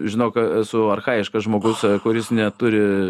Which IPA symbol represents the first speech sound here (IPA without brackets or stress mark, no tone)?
ʒʲ